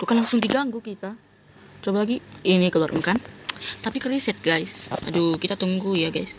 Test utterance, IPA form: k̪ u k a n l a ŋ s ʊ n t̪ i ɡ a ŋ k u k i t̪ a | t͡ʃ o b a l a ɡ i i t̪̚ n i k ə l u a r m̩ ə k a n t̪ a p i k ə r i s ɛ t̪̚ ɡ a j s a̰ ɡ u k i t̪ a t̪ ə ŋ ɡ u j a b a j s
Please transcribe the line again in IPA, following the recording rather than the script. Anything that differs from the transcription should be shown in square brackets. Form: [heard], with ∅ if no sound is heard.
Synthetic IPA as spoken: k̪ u k a n l a ŋ s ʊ [ŋ] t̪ i ɡ a ŋ [ɡ] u k i t̪ a | t͡ʃ o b a l a ɡ i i [∅] n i k ə l u a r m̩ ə k a n t̪ a p i k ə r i s ɛ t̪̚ ɡ a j s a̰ [d] u k i t̪ a t̪ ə ŋ ɡ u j a [ɡ] a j s